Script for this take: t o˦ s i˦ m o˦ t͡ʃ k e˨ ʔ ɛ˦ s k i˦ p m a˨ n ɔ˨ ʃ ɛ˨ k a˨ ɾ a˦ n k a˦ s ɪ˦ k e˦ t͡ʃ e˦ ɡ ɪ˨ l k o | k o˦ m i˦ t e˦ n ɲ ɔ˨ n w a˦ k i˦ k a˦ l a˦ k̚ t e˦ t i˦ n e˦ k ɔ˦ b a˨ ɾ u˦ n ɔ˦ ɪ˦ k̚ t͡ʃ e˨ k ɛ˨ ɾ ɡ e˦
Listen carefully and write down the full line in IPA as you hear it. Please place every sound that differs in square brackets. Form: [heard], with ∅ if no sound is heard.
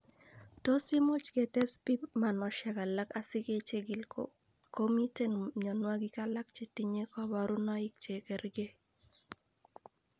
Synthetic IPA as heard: t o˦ s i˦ m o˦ t͡ʃ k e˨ [t] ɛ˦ s [p] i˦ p m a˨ n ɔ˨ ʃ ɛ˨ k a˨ [l] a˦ [∅] k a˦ s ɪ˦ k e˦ t͡ʃ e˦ ɡ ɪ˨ l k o | k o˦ m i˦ t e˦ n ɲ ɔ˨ n w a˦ [ɡ] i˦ k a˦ l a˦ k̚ [t͡ʃ] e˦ t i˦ [ɲ] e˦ k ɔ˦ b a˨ ɾ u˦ n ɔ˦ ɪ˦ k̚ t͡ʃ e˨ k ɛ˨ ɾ ɡ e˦

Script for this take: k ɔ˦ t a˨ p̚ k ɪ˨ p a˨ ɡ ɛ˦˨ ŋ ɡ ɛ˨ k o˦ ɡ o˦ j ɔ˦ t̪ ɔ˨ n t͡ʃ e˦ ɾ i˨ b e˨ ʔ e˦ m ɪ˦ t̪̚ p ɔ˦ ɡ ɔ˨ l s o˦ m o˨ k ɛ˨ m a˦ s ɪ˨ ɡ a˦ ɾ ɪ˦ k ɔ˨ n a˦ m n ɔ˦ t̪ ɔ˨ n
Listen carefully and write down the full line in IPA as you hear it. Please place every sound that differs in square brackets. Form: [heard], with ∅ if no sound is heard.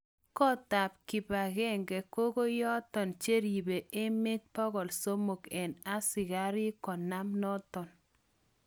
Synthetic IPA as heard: k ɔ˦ t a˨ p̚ k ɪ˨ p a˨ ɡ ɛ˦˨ ŋ ɡ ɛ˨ k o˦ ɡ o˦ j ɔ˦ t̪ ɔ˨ n t͡ʃ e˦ ɾ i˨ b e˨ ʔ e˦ m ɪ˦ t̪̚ p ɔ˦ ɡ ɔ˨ l s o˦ m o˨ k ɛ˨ [n] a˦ s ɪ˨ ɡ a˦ ɾ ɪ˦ k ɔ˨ n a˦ m n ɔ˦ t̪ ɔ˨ n

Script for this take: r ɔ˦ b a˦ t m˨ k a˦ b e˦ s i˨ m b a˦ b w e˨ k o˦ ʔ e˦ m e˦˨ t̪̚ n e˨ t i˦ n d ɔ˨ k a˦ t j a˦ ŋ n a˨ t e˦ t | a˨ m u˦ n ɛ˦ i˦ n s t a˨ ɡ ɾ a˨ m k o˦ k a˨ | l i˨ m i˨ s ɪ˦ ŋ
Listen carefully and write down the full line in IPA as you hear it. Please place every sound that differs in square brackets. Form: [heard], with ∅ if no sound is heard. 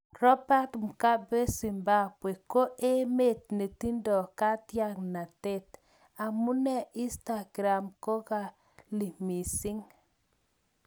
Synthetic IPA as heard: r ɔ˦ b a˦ t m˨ k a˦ b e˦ s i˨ m b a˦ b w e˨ k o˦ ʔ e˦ m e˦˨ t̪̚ n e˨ t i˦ n d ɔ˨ k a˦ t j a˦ ŋ n a˨ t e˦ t | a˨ m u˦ n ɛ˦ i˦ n s t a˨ ɡ ɾ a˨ m k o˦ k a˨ | l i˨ m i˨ s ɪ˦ ŋ

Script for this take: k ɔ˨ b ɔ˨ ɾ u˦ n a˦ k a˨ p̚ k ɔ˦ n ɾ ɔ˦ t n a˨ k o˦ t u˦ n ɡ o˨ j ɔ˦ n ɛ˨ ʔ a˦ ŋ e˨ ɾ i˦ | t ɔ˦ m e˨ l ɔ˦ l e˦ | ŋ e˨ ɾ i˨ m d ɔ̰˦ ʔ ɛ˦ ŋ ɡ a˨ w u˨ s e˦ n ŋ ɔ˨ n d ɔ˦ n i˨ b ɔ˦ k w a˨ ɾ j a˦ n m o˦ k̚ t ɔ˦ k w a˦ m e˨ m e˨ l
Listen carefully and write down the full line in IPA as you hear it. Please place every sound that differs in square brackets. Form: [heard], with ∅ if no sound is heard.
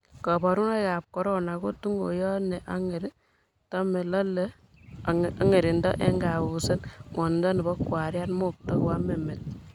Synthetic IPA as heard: k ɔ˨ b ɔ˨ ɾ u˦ n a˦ k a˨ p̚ k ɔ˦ [∅] ɾ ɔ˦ [∅] n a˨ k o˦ t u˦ [ŋ] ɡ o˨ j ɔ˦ n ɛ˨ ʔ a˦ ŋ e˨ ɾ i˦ | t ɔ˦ m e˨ l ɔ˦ l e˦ | ŋ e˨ ɾ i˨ [n] d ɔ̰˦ ʔ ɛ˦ ŋ ɡ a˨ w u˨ s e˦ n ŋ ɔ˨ n d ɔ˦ n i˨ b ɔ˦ k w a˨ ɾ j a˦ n m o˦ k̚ t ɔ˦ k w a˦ m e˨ m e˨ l

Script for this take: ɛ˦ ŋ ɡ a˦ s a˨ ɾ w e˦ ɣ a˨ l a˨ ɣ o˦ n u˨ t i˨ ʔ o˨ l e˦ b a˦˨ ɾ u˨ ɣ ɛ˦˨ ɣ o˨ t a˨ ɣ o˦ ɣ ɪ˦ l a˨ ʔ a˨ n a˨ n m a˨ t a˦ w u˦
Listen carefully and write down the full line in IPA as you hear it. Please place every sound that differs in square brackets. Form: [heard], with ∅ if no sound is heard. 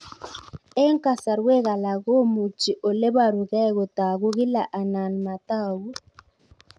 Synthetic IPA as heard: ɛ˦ ŋ [k] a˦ s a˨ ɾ w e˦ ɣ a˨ l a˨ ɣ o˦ [m] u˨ [t͡ʃ] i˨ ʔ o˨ l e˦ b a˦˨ ɾ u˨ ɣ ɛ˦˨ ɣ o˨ t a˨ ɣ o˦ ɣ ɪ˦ l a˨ ʔ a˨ n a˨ n m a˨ t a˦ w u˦

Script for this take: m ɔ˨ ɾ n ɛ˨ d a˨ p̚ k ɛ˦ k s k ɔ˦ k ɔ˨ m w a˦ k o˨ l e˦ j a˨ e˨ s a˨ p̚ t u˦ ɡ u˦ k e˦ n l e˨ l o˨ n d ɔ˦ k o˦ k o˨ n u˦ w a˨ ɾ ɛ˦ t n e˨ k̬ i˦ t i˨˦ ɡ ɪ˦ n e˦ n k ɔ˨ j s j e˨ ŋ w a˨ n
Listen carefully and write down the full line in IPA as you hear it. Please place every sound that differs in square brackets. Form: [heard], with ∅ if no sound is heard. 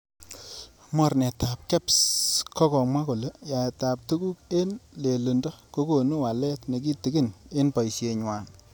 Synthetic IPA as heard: m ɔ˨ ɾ n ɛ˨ [t] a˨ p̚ k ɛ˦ [p] s k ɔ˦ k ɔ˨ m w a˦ k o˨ l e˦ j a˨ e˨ [t] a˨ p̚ t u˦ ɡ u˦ k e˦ n l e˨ l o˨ n d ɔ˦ k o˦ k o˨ n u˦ w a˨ [l] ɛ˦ t n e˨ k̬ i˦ t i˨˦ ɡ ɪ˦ n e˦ n [p] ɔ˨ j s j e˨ [ɲ] w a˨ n

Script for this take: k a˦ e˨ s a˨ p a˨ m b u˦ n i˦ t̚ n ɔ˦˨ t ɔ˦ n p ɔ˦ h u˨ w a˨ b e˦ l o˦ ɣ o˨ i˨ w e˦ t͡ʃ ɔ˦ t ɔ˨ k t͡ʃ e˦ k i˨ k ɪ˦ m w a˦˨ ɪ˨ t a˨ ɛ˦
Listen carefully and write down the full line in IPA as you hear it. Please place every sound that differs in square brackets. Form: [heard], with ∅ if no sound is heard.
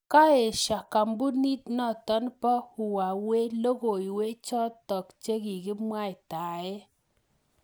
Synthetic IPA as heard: k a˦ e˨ [ʃ] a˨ [k] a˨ m b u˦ n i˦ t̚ n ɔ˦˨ t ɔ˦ n p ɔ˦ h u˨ w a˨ [w] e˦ l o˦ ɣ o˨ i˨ w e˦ t͡ʃ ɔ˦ t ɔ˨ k t͡ʃ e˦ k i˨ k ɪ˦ m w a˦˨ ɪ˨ t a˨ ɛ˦

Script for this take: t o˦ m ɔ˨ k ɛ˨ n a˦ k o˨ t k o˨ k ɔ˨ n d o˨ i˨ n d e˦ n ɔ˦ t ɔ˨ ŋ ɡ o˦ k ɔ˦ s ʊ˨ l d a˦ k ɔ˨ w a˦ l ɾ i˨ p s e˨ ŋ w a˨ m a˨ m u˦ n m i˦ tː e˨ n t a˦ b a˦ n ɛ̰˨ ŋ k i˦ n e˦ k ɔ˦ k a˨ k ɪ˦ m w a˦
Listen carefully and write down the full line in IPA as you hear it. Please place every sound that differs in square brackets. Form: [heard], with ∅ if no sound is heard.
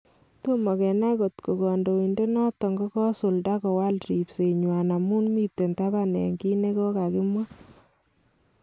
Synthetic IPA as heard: t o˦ m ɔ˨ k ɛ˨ n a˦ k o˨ t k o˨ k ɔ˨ n d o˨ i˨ n d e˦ n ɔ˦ t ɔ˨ ŋ ɡ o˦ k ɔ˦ s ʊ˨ l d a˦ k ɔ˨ w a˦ l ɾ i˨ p s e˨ [ɲ] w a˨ [n] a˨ m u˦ n m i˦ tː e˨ n t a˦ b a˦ n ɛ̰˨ ŋ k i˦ n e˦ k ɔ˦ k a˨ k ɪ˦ m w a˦

